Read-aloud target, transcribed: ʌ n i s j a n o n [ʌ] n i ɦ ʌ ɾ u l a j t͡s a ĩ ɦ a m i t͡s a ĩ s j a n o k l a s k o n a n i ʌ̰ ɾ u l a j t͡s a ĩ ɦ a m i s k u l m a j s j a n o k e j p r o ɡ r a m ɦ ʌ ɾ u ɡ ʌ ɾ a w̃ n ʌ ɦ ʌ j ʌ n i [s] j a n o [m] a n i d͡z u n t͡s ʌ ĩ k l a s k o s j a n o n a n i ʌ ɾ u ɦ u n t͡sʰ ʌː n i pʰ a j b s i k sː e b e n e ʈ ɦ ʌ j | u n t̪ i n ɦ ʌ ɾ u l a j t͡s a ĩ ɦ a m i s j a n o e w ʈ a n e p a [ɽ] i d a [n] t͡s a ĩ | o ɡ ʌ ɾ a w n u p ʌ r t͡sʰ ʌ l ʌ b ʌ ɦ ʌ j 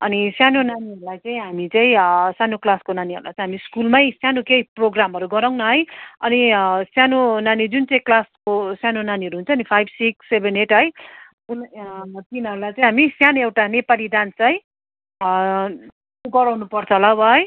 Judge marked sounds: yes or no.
no, yes, no, no, yes

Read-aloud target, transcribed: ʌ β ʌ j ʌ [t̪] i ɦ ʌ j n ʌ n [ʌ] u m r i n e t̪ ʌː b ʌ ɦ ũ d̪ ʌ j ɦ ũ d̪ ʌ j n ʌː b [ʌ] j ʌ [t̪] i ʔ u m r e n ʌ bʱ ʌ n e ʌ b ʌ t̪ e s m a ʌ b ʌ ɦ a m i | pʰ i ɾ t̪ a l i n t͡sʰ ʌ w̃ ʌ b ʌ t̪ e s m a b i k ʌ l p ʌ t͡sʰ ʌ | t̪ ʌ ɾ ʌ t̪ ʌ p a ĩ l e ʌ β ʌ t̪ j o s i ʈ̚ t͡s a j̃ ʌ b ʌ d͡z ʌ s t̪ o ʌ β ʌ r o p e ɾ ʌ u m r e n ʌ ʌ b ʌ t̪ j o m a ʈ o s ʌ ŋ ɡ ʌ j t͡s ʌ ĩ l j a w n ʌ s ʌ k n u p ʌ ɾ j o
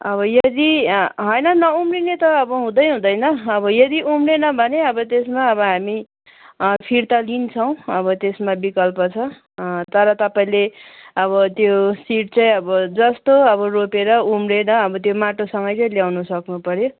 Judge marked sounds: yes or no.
no, yes, yes, no

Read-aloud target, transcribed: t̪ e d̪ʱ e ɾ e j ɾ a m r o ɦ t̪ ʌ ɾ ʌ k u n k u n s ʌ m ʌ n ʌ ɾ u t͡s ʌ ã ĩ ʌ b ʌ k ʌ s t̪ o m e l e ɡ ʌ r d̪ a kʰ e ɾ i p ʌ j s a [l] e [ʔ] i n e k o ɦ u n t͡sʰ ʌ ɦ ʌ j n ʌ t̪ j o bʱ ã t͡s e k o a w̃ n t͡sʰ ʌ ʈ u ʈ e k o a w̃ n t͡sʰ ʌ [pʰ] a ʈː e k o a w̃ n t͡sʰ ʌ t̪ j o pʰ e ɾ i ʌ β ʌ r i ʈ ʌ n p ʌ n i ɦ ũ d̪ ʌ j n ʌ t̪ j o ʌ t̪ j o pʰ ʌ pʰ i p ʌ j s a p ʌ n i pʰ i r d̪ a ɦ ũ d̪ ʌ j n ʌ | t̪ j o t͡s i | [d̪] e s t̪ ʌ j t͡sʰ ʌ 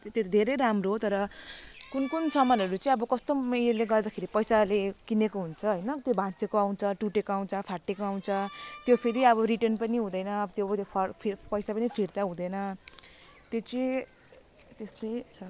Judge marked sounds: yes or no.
yes, no, yes, no

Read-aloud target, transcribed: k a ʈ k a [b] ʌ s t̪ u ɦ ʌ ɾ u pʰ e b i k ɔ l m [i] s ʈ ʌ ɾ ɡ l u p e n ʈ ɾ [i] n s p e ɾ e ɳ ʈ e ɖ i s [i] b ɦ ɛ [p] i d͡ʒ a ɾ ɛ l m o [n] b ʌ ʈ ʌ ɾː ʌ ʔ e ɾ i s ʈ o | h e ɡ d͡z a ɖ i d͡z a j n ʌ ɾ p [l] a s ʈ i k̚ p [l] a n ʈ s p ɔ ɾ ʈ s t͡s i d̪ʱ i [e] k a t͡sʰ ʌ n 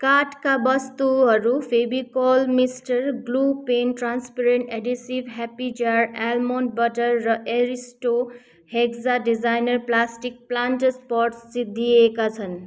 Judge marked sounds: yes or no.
yes, yes, no, yes, yes, yes, yes, yes, yes

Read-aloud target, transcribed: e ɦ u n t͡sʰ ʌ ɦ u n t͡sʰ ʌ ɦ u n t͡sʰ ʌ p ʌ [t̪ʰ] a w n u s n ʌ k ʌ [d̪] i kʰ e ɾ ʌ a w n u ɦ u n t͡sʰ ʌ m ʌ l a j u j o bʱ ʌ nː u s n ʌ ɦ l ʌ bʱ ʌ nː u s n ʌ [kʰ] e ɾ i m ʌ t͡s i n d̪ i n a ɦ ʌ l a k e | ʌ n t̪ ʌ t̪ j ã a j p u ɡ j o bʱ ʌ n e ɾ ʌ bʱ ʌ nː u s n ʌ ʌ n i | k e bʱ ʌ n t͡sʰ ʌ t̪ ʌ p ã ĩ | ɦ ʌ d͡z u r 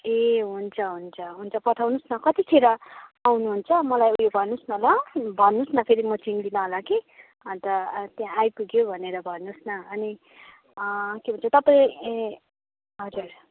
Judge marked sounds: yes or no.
yes, no, no

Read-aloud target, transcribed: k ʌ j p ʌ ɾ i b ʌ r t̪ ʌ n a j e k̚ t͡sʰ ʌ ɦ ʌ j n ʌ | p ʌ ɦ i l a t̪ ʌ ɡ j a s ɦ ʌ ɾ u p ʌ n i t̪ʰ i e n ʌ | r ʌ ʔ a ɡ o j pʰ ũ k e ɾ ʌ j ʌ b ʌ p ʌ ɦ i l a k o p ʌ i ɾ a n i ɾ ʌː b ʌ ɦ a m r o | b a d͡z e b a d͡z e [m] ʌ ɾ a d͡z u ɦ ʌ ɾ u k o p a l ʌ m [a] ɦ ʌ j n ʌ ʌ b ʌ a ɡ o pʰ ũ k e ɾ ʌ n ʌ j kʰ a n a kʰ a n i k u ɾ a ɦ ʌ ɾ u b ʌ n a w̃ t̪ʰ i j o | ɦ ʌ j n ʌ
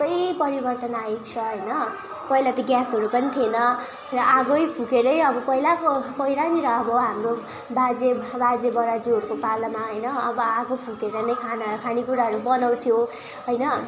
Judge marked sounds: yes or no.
no, yes

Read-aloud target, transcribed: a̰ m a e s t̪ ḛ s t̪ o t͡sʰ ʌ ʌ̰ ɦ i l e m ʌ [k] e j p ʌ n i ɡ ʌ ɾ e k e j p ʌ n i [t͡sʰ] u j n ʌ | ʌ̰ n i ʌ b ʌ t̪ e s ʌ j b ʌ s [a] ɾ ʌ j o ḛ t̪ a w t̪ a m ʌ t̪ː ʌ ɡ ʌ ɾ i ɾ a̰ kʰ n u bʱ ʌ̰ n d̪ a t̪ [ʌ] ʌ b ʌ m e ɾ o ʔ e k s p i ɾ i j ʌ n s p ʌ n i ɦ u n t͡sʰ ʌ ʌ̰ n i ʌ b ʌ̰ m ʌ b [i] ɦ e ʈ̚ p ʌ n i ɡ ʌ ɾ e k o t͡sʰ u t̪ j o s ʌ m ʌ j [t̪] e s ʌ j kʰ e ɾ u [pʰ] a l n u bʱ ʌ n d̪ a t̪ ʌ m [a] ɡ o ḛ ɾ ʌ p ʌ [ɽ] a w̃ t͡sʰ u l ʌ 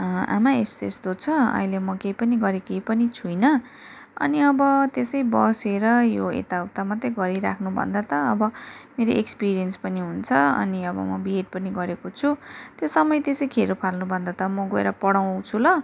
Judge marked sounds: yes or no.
yes, yes, no, yes, yes, yes, yes, no, yes

